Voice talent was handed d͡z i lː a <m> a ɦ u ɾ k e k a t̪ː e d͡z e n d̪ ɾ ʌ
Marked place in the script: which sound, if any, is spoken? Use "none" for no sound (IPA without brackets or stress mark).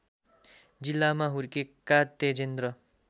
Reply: m